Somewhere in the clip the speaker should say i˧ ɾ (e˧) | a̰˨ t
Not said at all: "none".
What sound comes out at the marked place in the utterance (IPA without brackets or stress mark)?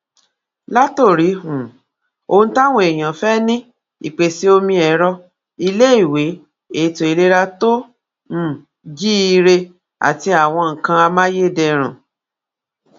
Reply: e˧